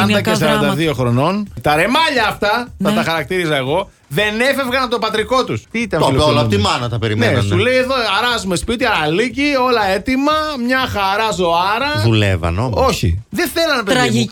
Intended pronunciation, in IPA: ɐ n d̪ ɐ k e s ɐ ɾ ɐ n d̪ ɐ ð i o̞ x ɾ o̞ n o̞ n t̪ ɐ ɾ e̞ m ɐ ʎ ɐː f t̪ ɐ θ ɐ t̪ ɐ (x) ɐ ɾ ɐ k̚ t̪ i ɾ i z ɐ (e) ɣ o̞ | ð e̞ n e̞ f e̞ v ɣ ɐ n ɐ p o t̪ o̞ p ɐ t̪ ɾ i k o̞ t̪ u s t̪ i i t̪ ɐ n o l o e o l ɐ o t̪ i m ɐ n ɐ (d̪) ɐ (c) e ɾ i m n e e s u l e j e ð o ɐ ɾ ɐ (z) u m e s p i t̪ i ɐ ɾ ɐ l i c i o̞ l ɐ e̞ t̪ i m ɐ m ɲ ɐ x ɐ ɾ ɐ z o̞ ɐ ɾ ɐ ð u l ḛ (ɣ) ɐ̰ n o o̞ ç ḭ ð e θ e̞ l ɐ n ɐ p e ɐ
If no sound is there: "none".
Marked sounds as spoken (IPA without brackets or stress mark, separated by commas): x, e, t̪, p, z, v